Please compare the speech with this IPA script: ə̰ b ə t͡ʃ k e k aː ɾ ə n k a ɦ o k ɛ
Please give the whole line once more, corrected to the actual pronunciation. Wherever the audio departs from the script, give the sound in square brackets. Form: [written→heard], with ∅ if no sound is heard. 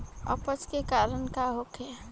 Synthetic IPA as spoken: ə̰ [b→p] ə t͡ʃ k e k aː ɾ ə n k a ɦ o k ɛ